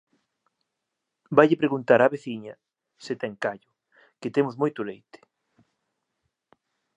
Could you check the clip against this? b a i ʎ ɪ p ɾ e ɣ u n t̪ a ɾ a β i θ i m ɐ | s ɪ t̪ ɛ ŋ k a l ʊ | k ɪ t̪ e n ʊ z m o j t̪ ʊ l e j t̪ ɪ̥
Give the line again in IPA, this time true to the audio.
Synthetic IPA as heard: b a j ʎ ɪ p ɾ e ɣ u n t̪ a ɾ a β e θ i ɲ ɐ | s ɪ t̪ ɛ ŋ k a ʎ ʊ | k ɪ t̪ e m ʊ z m o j t̪ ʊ l e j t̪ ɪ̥